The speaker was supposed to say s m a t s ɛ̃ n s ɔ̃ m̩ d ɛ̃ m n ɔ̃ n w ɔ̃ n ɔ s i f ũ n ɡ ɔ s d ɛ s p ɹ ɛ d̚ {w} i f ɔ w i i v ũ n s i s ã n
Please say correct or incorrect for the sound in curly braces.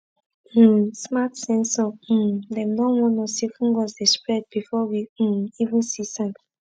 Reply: incorrect